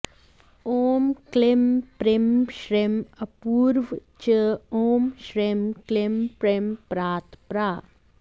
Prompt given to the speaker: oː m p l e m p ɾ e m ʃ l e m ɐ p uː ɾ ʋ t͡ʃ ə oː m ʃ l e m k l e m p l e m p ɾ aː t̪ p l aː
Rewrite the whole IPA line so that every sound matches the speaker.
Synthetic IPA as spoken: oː m k l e m p ɾ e m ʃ ɾ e m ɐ p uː ɾ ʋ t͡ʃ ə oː m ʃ ɾ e m k l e m p ɾ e m p ɾ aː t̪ p ɾ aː